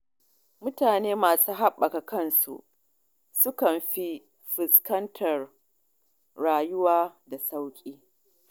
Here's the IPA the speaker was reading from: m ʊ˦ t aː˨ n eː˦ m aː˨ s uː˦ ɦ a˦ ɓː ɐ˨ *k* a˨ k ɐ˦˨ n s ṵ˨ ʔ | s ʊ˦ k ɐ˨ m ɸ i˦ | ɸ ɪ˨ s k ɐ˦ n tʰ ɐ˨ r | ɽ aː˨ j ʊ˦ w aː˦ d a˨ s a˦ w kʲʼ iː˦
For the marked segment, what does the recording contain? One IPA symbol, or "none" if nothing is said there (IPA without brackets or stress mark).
k